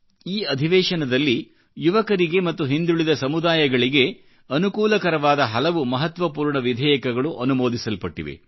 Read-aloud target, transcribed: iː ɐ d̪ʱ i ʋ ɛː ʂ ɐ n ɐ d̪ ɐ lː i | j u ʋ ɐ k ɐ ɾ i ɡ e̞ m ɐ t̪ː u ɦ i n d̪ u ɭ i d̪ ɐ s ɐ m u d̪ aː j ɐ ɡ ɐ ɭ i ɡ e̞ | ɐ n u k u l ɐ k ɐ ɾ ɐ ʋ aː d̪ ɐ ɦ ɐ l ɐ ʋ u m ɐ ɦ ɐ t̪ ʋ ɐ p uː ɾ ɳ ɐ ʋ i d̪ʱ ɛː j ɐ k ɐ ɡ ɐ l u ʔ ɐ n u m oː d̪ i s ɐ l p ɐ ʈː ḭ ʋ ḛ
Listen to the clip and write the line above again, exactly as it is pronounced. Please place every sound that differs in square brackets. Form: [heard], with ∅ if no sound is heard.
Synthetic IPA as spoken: iː ɐ d̪ʱ i ʋ ɛː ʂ ɐ n ɐ d̪ ɐ lː i | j u ʋ ɐ k ɐ ɾ i ɡ e̞ m ɐ t̪ː u ɦ i n d̪ u ɭ i d̪ ɐ s ɐ m u d̪ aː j ɐ ɡ ɐ ɭ i ɡ e̞ | ɐ n u k [uː] l ɐ k ɐ ɾ ɐ ʋ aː d̪ ɐ ɦ ɐ l ɐ ʋ u m ɐ ɦ ɐ t̪ ʋ ɐ p uː ɾ ɳ ɐ ʋ i d̪ʱ ɛː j ɐ k ɐ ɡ ɐ [ɭ] u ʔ ɐ n u m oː d̪ i s ɐ l p ɐ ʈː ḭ ʋ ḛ